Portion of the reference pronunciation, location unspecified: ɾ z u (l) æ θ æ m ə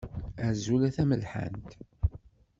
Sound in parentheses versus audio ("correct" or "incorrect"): correct